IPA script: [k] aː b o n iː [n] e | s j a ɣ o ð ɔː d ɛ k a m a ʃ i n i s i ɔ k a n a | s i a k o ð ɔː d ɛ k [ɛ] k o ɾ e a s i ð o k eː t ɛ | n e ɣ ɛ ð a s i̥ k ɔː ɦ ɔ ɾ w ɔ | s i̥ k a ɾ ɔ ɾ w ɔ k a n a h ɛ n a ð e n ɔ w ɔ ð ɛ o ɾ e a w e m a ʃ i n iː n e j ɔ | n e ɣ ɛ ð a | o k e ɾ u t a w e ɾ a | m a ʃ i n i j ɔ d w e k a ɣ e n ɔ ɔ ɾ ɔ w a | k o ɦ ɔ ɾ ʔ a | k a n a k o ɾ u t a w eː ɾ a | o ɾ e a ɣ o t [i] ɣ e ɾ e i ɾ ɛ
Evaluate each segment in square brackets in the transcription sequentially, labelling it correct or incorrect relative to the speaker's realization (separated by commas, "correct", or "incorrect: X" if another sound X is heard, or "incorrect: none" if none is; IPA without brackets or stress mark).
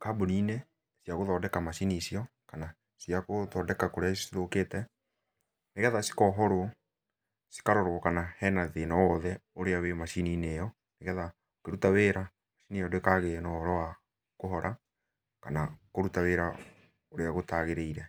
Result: correct, correct, incorrect: a, incorrect: a